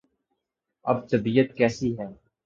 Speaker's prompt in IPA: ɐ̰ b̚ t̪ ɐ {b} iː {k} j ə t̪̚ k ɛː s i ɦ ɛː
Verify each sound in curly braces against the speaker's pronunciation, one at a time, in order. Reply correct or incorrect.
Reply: correct, incorrect

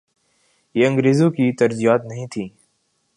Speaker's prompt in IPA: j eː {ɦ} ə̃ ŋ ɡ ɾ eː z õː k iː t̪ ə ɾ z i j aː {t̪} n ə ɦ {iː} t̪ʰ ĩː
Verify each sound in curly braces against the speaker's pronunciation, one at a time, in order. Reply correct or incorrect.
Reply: incorrect, correct, incorrect

